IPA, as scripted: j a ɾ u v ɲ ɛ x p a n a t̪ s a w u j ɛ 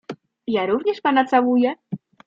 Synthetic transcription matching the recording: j a ɾ u v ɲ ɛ ʂ p a n a t̪ s a w u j ɛ

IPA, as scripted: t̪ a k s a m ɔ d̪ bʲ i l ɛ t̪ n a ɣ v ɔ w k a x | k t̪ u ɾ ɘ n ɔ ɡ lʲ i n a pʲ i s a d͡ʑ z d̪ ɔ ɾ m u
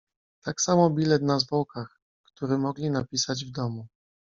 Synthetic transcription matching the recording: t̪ a k s a m ɔ bʲ i l ɛ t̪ n a z v ɔ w k a x | k t̪ u ɾ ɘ m ɔ ɡ lʲ i n a pʲ i s a d͡ʑ v d̪ ɔ m u

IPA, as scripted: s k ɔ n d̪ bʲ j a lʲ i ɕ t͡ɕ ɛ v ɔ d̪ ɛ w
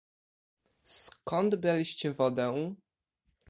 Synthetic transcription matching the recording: s k ɔ n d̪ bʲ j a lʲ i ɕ t͡ɕ ɛ v ɔ d̪ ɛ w

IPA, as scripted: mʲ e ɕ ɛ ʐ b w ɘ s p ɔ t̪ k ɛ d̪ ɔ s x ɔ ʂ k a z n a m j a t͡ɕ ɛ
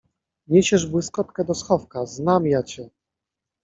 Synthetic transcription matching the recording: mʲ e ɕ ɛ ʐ b w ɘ s k ɔ t̪ k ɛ d̪ ɔ s x ɔ f k a z n a m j a t͡ɕ ɛ

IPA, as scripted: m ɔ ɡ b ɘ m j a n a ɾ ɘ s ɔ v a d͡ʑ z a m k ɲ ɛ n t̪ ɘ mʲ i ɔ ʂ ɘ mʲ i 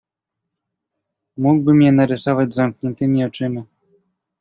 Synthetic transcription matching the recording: m u ɡ b ɘ m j ɛ n a ɾ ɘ s ɔ v a d͡ʑ z a m k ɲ ɛ n t̪ ɘ mʲ i ɔ t͡ʂ ɘ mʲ i

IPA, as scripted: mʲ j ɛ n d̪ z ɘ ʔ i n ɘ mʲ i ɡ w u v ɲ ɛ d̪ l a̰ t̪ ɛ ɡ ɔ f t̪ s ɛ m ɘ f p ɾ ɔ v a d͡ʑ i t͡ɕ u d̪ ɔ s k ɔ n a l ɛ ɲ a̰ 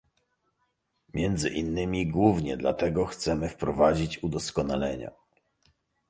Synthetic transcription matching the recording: mʲ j ɛ n d̪ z ɘ ʔ i nː ɘ mʲ i ɡ w u v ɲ ɛ d̪ l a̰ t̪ ɛ ɡ ɔ x t̪ s ɛ m ɘ f p ɾ ɔ v a d͡ʑ i t͡ɕ u d̪ ɔ s k ɔ n a l ɛ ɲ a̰

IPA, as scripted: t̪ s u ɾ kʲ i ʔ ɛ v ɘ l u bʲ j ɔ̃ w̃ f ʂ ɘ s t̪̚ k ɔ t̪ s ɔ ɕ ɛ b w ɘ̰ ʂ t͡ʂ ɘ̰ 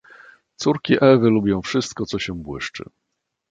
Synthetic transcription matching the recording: t̪ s u ɾ kʲ i ʔ ɛ v ɘ l u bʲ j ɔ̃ w̃ f ʂ ɘ s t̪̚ k ɔ t̪ s ɔ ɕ ɛ b w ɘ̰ ʂ t͡ʂ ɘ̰

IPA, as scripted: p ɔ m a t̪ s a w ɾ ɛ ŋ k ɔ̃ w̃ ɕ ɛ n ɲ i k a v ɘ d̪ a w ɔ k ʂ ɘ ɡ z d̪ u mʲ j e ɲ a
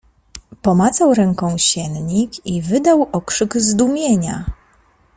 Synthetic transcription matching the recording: p ɔ m a t̪ s a w ɾ ɛ ŋ k ɔ̃ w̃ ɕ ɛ n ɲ i k i v ɘ d̪ a w ɔ k ʂ ɘ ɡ z d̪ u mʲ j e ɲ a

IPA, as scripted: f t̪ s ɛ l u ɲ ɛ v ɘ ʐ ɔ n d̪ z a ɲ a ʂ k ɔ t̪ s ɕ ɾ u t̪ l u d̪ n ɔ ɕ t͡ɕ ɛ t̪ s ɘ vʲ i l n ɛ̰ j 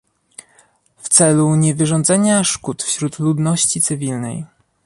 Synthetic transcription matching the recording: f t̪ s ɛ l u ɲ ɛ v ɘ ʐ ɔ n d̪ z ɛ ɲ a ʂ k u t̪ f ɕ ɾ u t̪ l u d̪ n ɔ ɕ t͡ɕ i t̪ s ɘ vʲ i l n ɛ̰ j

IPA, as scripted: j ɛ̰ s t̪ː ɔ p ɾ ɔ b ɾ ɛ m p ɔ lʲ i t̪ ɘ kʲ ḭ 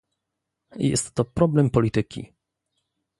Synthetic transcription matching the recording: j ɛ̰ s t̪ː ɔ p ɾ ɔ b l ɛ m p ɔ lʲ i t̪ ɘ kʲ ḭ

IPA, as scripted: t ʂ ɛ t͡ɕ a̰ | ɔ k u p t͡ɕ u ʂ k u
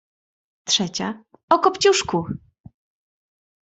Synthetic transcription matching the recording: t ʂ ɛ t͡ɕ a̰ | ɔ k ɔ p t͡ɕ u ʂ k u

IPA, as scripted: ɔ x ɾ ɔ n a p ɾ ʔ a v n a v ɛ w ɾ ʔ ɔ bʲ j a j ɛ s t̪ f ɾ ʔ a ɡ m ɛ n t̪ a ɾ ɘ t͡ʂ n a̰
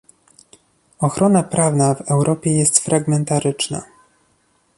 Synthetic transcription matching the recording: ɔ x ɾ ɔ n a p ɾ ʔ a v n a v ɛ w ɾ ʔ ɔ pʲ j ɛ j ɛ s t̪ f ɾ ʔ a ɡ m ɛ n t̪ a ɾ ɘ t͡ʂ n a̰

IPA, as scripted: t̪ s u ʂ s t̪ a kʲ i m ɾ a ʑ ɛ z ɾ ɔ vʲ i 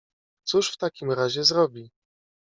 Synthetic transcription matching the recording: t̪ s u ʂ f t̪ a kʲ i m ɾ a ʑ ɛ z ɾ ɔ bʲ i

